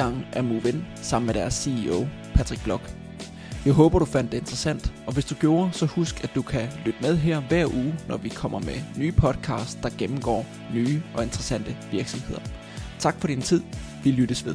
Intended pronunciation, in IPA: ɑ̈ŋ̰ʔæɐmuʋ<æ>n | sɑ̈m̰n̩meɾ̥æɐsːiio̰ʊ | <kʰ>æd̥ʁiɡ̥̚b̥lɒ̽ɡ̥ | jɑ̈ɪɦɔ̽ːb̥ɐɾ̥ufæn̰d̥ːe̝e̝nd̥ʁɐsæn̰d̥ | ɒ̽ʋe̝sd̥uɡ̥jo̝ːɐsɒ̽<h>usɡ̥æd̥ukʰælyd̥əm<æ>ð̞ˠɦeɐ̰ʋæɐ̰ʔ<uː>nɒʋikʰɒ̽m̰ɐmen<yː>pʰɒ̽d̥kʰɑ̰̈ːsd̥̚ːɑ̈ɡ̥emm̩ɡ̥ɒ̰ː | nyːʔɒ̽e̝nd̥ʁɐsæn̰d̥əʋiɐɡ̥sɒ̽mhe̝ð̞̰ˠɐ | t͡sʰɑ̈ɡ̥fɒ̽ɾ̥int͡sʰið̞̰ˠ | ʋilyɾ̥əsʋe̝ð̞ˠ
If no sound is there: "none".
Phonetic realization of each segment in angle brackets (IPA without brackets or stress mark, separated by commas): e, pʰ, h, e, uː, yː